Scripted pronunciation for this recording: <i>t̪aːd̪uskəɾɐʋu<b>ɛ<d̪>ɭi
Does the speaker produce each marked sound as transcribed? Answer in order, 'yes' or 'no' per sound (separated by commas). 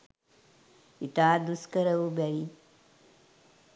yes, yes, no